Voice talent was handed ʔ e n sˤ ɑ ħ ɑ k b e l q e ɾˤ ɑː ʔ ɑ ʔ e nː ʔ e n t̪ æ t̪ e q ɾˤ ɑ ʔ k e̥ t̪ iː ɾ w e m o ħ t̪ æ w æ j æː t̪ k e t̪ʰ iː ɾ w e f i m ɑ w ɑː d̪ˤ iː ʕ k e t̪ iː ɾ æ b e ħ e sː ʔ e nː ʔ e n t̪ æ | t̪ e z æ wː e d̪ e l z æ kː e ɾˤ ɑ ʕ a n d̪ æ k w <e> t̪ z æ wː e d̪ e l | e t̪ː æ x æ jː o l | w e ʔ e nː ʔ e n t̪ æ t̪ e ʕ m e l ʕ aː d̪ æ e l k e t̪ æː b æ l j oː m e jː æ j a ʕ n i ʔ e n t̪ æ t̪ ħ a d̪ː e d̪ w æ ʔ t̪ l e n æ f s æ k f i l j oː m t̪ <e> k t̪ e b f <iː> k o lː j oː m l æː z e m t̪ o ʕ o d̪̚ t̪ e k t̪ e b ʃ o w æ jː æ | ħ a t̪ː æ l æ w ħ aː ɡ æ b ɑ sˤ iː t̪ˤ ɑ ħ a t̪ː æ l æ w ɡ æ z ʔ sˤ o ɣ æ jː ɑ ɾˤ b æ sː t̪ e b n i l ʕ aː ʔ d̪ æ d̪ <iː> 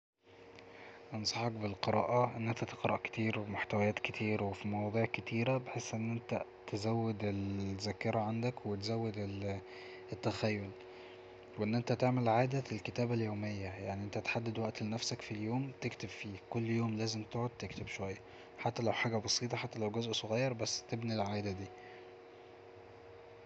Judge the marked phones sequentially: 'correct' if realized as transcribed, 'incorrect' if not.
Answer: correct, correct, correct, correct

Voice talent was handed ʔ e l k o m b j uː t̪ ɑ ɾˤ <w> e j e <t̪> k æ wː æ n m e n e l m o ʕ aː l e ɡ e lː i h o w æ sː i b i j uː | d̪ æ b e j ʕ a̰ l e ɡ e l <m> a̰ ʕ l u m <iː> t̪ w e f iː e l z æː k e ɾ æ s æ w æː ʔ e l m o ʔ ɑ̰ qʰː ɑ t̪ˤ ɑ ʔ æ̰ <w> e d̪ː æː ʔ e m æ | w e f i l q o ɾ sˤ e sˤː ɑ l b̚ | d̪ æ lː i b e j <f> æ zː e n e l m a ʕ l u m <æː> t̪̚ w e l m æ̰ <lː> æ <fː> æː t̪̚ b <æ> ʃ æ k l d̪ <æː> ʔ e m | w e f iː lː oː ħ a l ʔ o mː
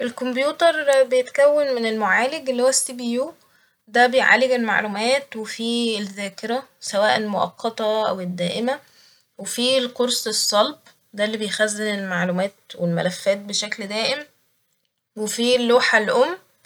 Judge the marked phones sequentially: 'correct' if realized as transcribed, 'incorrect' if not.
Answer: incorrect: b, correct, correct, incorrect: æː, correct, incorrect: x, correct, incorrect: l, correct, incorrect: e, correct

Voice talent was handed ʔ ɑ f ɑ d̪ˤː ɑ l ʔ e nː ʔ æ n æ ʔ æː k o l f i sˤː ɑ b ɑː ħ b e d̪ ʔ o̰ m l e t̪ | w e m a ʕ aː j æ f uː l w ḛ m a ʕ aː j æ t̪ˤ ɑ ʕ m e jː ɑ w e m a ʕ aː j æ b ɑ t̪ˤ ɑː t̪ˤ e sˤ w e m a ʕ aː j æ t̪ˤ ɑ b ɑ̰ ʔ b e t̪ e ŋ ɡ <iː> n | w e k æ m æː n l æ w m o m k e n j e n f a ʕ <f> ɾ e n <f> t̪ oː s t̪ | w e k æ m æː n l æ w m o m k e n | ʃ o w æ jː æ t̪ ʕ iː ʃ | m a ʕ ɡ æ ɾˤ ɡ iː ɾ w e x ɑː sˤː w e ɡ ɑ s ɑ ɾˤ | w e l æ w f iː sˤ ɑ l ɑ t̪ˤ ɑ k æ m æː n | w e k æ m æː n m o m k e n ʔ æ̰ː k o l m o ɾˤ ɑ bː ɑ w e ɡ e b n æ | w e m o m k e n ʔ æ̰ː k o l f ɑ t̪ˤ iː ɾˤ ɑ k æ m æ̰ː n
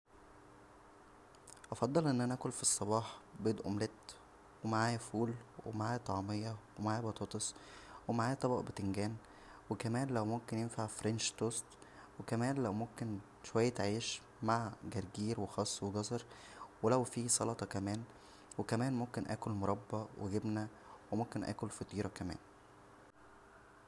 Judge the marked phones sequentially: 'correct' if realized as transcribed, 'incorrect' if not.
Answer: incorrect: æː, correct, incorrect: ʃ

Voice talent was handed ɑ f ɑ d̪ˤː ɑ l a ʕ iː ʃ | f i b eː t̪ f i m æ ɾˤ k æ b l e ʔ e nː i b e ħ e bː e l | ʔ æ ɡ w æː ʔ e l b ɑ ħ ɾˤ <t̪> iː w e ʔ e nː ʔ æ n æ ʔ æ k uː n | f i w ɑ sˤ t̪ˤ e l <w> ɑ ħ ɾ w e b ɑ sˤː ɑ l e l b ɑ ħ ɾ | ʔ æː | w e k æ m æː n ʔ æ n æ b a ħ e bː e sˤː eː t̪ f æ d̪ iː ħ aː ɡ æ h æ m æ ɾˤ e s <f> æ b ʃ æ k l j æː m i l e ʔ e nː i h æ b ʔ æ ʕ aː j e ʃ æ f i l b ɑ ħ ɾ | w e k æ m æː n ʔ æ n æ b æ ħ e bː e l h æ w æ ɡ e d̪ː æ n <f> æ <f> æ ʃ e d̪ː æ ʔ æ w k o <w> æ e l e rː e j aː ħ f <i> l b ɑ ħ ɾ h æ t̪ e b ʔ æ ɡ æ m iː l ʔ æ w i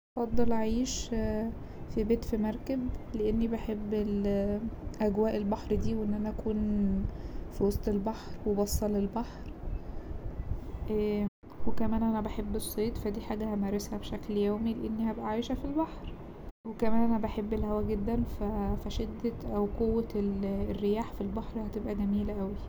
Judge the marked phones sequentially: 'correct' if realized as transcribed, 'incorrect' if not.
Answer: incorrect: d̪, incorrect: b, incorrect: h, correct, correct, incorrect: wː, correct

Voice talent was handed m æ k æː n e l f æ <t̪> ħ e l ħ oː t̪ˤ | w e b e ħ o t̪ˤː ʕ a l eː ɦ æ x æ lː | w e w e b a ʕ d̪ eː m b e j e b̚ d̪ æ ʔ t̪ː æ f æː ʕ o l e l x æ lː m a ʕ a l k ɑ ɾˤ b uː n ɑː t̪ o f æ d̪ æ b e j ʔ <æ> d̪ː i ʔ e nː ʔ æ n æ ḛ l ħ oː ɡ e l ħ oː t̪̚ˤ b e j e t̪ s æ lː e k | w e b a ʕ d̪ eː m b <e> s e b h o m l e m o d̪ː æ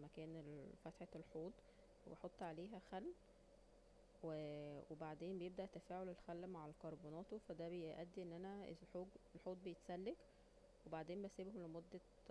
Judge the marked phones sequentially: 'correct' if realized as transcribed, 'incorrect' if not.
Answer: correct, correct, incorrect: æ

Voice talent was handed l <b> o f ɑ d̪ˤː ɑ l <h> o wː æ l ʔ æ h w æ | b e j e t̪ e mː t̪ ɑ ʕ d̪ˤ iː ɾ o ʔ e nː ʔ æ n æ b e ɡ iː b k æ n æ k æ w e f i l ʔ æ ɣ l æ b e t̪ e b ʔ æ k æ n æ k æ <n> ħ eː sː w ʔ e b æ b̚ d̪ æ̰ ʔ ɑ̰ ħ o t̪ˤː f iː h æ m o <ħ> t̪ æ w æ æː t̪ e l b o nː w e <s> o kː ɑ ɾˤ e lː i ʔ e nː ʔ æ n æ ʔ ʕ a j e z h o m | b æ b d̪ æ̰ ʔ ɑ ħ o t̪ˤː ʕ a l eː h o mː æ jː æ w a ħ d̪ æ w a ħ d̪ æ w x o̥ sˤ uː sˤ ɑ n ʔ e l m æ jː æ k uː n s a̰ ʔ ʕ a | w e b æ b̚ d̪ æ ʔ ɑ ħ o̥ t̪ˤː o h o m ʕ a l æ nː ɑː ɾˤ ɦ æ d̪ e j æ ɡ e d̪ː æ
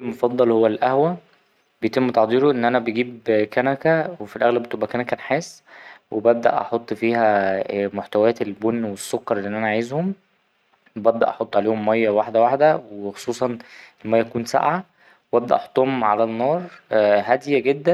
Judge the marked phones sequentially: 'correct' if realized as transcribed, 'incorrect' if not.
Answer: incorrect: m, correct, correct, correct, incorrect: sː

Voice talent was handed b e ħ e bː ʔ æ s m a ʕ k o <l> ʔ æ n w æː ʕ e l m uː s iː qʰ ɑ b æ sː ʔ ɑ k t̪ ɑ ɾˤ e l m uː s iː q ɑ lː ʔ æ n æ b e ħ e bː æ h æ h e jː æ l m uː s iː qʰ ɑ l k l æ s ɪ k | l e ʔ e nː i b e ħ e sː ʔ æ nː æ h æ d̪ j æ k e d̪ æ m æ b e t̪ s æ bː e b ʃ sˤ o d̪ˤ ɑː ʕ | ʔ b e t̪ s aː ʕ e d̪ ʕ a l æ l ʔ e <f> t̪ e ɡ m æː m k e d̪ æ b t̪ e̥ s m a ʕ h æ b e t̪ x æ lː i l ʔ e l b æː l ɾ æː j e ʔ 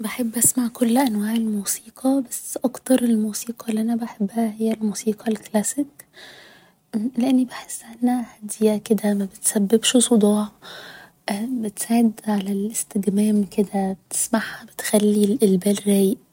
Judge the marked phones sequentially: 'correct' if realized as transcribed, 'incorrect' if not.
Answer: incorrect: lː, incorrect: s

